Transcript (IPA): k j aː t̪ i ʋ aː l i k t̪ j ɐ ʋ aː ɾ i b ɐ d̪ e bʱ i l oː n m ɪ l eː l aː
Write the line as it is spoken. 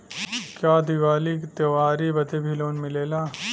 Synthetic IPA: k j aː d̪ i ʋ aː l i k t̪ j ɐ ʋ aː ɾ i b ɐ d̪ e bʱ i l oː n m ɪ l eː l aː

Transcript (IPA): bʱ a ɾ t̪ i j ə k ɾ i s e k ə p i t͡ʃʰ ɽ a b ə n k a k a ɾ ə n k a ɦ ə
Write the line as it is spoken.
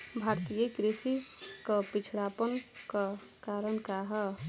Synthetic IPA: bʱ a ɾ t̪ i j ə k ɾ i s i k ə p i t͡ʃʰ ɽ a p ə n k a k a ɾ ə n k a ɦ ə

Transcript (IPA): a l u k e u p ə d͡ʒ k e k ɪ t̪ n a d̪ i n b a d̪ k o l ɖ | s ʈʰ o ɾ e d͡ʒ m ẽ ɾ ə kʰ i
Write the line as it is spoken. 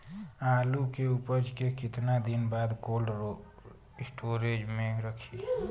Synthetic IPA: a l u k e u p ə d͡ʒ k e k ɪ t̪ n a d̪ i n b a d̪ k o l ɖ | s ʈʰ o ɾ e d͡ʒ m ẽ ɾ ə kʰ i

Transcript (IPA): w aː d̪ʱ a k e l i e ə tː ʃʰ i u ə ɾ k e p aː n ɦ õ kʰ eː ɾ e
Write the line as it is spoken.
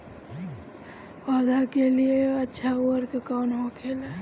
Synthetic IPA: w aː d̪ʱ a k e l i e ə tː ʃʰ a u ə ɾ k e k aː n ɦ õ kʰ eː l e

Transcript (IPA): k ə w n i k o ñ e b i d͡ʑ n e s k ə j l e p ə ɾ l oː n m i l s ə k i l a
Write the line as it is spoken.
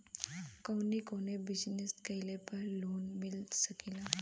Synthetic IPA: k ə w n i k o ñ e b i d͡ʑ n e s k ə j l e p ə ɾ l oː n m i l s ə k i l a

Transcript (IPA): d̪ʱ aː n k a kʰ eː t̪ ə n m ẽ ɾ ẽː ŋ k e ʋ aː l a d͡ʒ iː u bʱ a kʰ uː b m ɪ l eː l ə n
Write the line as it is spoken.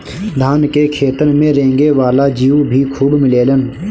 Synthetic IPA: d̪ʱ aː n k e kʰ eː t̪ ə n m ẽ ɾ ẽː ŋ ɡ e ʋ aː l a d͡ʒ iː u bʱ i kʰ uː b m ɪ l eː l ə n

